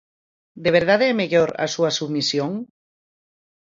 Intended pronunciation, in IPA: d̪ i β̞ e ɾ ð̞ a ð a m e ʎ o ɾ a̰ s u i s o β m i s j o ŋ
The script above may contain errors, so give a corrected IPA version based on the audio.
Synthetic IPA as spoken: d̪ e β̞ e ɾ ð̞ a ð e m e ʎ o ɾ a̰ s u a s u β m i s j o ŋ